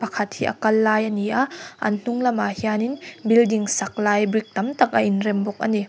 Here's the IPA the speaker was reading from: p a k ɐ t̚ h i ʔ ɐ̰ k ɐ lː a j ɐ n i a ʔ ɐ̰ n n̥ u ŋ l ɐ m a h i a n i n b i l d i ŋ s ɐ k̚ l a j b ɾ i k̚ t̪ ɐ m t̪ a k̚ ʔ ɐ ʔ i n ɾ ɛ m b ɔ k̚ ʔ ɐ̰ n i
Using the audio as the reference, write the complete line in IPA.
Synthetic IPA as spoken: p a kʰ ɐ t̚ h i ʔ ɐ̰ k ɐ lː a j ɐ n i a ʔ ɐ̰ n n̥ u ŋ l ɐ m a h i a n i n b i l d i ŋ s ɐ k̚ l a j b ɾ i k̚ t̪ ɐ m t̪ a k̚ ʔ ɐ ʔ i n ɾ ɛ m b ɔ k̚ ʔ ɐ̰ n i

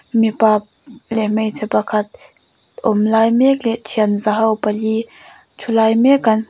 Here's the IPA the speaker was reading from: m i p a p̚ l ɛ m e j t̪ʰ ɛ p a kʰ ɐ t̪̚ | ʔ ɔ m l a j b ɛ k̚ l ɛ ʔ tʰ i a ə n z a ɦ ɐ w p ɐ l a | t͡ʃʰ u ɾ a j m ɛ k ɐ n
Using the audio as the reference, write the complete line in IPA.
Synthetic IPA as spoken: m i p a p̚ l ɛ m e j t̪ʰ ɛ p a kʰ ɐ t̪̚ | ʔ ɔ m l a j m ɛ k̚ l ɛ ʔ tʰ i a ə n z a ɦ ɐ w p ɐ l i | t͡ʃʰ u l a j m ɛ k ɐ n

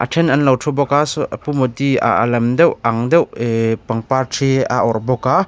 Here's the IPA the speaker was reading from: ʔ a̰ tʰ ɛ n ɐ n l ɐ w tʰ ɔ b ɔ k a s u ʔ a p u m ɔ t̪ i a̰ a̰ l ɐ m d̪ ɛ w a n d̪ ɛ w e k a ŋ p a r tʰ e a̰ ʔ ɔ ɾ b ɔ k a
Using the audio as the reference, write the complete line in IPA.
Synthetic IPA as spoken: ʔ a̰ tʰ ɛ n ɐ n l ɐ w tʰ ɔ b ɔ k a s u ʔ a p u m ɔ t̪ i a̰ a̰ l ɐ m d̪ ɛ w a ŋ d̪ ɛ w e p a ŋ p a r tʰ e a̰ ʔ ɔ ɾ b ɔ k a

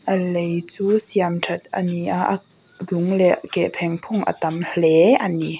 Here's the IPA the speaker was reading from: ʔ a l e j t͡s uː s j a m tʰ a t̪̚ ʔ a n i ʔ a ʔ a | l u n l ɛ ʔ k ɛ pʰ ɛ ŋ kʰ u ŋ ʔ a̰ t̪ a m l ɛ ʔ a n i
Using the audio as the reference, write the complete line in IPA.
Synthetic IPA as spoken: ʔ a l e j t͡s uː s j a m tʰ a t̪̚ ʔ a n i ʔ a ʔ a | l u ŋ l ɛ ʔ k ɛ pʰ ɛ ŋ pʰ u ŋ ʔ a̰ t̪ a m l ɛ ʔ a n i

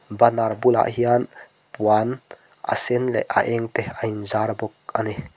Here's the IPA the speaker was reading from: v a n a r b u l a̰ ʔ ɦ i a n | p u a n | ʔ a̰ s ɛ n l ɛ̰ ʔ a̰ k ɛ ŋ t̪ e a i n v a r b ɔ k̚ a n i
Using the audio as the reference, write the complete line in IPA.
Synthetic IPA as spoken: b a n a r b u l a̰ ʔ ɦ i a n | p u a n | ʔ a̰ s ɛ n l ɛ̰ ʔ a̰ ʔ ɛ ŋ t̪ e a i n z a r b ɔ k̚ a n i

